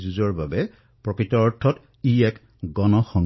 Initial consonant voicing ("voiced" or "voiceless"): voiced